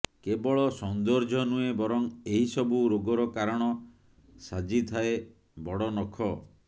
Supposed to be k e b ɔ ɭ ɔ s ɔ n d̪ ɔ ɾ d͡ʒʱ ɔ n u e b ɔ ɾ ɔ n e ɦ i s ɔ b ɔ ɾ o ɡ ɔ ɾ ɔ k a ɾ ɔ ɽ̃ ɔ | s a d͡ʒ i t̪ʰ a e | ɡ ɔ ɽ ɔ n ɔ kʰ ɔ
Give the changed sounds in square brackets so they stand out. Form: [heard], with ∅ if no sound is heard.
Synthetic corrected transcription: k e b ɔ ɭ ɔ s ɔ n d̪ ɔ ɾ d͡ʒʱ ɔ n u e b ɔ ɾ ɔ [ŋ] e ɦ i s ɔ b [u] ɾ o ɡ ɔ ɾ ɔ k a ɾ ɔ ɽ̃ ɔ | s a d͡ʒ i t̪ʰ a e | [b] ɔ ɽ ɔ n ɔ kʰ ɔ

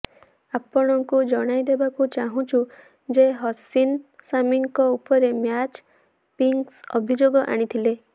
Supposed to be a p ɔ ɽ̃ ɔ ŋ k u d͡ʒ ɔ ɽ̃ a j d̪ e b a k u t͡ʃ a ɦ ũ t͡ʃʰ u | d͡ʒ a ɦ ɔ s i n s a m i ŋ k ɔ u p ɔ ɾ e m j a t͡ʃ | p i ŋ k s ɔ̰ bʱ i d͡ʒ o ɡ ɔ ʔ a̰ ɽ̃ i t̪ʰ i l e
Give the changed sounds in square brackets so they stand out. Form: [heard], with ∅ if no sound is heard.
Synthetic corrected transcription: a p ɔ ɽ̃ ɔ ŋ k u d͡ʒ ɔ ɽ̃ a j d̪ e b a k u t͡ʃ a ɦ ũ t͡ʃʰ u | d͡ʒ [e] ɦ ɔ s i n s a m i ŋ k ɔ u p ɔ ɾ e m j a t͡ʃ | p i ŋ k s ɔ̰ bʱ i d͡ʒ o ɡ ɔ ʔ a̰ ɽ̃ i t̪ʰ i l e

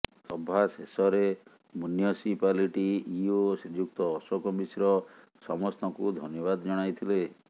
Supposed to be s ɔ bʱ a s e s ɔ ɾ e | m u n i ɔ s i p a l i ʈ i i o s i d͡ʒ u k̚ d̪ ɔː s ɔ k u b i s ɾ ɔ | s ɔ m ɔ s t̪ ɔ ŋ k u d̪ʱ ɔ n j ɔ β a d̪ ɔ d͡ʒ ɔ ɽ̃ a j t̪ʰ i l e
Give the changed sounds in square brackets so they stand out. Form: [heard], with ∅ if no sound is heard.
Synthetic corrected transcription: s ɔ bʱ a s e s ɔ ɾ e | m u n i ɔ s i p a l i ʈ i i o s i d͡ʒ u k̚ [t̪] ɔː s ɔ k [ɔ] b i s ɾ ɔ | s ɔ m ɔ s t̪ ɔ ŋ k u d̪ʱ ɔ n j ɔ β a d̪ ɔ d͡ʒ ɔ ɽ̃ a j t̪ʰ i l e

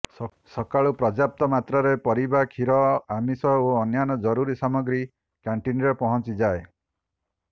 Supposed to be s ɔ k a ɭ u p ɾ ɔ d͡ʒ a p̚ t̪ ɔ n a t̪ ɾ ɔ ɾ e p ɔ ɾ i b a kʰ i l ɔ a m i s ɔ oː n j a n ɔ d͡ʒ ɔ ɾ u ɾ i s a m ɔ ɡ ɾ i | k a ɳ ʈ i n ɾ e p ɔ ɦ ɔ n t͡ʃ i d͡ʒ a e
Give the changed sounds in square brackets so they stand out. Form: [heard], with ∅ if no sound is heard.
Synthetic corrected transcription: s ɔ k a ɭ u p ɾ ɔ d͡ʒ a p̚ t̪ ɔ [m] a t̪ ɾ ɔ ɾ e p ɔ ɾ i b a kʰ i [ɾ] ɔ a m i s ɔ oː n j a n ɔ d͡ʒ ɔ ɾ u ɾ i s a m ɔ ɡ ɾ i | k a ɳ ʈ i n ɾ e p ɔ ɦ ɔ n t͡ʃ i d͡ʒ a e

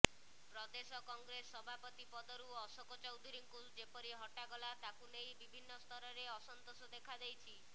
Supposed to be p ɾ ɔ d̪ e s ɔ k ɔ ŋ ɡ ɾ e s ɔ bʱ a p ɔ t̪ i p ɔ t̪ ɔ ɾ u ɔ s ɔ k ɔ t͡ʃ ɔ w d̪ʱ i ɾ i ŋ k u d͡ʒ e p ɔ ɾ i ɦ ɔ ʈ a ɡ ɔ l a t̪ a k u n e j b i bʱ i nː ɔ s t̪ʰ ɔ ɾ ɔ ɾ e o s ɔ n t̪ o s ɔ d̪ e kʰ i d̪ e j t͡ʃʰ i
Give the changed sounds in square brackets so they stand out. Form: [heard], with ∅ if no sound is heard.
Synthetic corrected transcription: p ɾ ɔ d̪ e s ɔ k ɔ ŋ ɡ ɾ e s ɔ bʱ a p ɔ t̪ i p ɔ [d̪] ɔ ɾ u ɔ s ɔ k ɔ t͡ʃ ɔ w d̪ʱ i ɾ i ŋ k u d͡ʒ e p ɔ ɾ i ɦ ɔ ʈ a ɡ ɔ l a t̪ a k u n e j b i bʱ i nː ɔ s t̪ʰ ɔ ɾ ɔ ɾ e [ɔ] s ɔ n t̪ o s ɔ d̪ e kʰ [a] d̪ e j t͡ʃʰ i

